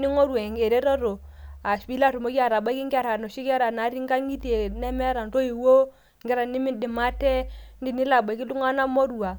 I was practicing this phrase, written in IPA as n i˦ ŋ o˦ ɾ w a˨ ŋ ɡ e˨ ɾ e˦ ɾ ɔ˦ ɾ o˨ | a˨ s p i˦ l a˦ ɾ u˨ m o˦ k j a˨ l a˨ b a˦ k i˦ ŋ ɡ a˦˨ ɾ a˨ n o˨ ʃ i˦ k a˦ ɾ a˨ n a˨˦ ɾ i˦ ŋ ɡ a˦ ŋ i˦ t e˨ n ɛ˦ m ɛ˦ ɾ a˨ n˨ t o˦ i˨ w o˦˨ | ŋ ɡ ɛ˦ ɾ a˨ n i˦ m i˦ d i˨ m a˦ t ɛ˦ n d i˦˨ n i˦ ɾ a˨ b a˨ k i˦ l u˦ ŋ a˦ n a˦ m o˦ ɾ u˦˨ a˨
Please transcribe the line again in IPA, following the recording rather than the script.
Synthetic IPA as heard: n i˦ ŋ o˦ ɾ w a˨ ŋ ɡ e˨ ɾ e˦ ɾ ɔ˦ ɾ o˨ | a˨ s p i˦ l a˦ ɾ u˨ m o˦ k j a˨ ɾ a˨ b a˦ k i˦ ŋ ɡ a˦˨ ɾ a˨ n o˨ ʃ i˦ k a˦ ɾ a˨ n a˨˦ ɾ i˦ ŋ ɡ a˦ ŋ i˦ t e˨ n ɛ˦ m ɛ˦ ɾ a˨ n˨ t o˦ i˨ w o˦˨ | ŋ ɡ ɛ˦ ɾ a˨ n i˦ m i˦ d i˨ m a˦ t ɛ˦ n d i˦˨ n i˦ l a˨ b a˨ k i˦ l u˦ ŋ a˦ n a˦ m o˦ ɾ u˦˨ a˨